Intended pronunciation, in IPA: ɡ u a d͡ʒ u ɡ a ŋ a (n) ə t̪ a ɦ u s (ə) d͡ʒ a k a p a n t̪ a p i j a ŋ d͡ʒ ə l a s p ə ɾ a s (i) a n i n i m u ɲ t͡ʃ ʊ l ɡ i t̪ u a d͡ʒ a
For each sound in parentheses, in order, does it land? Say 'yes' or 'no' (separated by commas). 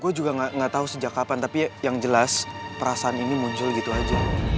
no, yes, no